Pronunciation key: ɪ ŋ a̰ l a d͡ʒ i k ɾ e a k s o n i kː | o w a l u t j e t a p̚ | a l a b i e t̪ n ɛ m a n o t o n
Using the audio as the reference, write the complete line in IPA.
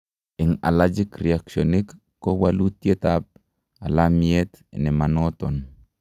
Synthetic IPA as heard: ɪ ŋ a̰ l a d͡ʒ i k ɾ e a k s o n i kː | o w a l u t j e t a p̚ | a l a m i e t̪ n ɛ m a n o t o n